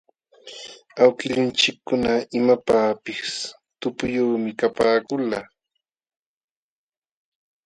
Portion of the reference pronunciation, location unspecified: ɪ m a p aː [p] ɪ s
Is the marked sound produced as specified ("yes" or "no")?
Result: yes